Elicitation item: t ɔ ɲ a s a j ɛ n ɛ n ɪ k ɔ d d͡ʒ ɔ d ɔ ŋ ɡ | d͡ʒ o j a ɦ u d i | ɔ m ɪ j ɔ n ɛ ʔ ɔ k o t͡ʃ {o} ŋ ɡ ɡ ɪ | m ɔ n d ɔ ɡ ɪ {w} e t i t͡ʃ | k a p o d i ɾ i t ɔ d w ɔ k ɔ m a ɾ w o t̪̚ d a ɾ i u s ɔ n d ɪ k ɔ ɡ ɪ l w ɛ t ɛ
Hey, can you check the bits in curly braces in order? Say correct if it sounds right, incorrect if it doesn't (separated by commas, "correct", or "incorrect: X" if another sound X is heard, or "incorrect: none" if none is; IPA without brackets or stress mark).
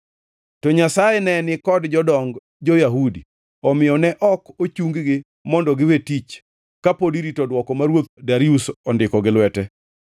incorrect: u, correct